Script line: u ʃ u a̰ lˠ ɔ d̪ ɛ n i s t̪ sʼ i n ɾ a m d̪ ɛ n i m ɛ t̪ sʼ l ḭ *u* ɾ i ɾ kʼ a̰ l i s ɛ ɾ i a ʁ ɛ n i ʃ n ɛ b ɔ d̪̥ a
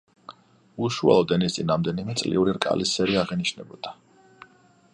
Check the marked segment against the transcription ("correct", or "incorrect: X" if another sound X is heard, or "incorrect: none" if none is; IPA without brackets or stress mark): correct